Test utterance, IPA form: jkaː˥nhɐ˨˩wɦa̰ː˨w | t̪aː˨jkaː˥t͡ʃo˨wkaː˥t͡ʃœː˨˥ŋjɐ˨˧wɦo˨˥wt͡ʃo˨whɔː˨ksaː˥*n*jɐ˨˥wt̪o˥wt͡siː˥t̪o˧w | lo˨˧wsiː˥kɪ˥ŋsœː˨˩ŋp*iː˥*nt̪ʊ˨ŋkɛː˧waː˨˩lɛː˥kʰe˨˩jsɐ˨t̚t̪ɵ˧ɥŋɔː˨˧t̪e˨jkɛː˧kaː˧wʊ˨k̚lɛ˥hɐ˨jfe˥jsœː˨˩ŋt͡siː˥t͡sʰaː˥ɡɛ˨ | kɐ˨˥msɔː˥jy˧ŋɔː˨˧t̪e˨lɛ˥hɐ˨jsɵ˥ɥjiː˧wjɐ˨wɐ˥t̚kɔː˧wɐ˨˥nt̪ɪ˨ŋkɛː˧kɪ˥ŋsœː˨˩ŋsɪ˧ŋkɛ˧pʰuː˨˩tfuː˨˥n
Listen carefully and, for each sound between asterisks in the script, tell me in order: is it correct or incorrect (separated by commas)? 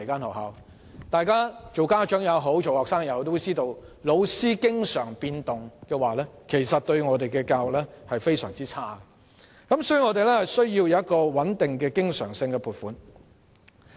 incorrect, incorrect